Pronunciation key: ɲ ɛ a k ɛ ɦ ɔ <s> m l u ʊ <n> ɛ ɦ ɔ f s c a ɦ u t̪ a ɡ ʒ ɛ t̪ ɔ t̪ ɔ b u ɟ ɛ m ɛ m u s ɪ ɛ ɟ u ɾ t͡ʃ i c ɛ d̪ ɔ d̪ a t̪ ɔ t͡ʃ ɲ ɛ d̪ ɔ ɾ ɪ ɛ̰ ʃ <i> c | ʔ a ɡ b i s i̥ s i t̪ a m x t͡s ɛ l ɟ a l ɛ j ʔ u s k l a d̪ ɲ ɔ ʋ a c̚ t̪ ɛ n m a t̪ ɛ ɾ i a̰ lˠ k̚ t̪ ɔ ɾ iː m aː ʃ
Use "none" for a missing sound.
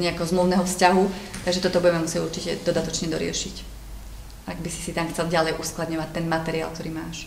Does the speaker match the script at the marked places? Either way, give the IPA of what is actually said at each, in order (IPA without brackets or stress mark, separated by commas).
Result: z, n, i